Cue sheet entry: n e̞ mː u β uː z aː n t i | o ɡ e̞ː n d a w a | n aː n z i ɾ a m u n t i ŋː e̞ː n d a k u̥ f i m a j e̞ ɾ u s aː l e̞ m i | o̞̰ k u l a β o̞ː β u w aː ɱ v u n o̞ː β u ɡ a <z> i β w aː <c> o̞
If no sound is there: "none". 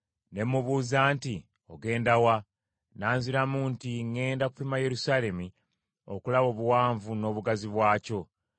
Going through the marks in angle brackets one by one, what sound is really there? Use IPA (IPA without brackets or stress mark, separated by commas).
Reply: z, c